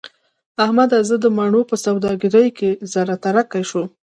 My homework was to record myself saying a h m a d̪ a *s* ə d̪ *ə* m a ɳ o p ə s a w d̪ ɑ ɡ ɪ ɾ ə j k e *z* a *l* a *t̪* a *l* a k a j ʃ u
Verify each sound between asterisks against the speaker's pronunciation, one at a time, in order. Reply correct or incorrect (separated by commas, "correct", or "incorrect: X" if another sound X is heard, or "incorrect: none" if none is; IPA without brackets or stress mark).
incorrect: z, correct, correct, incorrect: ɾ, correct, incorrect: ɾ